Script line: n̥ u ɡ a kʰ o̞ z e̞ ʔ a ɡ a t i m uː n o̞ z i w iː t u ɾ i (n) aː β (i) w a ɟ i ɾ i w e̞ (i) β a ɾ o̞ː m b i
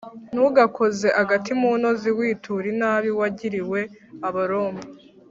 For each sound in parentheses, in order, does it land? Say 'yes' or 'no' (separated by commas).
yes, yes, no